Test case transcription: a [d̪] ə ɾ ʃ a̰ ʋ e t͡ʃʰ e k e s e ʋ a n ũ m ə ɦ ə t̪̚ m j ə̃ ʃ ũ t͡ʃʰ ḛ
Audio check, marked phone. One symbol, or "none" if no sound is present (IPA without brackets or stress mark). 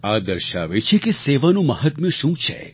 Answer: d̪